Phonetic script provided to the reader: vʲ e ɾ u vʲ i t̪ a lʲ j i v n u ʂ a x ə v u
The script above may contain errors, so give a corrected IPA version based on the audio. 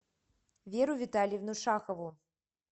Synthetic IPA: vʲ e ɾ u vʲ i t̪ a lʲ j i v n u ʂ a x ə v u